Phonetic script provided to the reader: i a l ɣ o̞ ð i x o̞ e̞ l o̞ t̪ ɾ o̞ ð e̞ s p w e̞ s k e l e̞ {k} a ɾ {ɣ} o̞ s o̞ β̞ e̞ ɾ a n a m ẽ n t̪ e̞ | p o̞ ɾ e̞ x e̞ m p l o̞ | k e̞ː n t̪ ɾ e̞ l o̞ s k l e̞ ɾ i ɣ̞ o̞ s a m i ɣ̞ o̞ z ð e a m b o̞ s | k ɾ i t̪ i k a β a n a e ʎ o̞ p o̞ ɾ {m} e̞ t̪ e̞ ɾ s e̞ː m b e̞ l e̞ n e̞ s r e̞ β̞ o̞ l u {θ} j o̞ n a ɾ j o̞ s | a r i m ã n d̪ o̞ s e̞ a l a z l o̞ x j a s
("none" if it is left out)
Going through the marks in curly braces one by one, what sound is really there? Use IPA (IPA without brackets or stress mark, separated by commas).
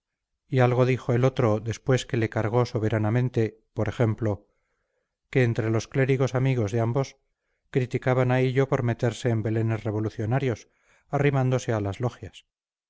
k, ɣ, m, θ